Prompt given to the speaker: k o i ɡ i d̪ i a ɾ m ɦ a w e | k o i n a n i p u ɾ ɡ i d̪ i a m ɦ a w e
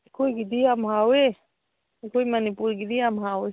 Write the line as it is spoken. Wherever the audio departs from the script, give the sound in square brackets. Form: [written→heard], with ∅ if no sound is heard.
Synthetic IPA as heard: k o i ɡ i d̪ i a [ɾ→∅] m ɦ a w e | k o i [n→m] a n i p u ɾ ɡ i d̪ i a m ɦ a w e